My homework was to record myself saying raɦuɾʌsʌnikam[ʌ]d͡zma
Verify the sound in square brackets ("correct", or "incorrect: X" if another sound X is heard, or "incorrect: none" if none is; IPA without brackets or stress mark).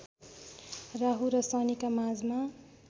incorrect: a